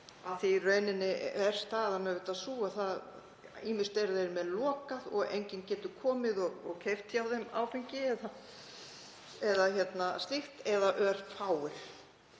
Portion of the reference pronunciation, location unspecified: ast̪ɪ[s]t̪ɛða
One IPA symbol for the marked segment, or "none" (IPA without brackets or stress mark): x